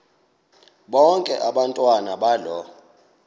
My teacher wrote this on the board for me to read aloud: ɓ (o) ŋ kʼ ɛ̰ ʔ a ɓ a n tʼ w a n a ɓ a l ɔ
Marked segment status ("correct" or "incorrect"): incorrect